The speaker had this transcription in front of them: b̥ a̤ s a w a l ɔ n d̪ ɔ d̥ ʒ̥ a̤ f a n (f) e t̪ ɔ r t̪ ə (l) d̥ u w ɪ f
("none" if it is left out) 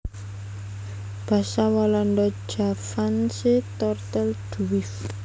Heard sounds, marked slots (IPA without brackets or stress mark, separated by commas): s, l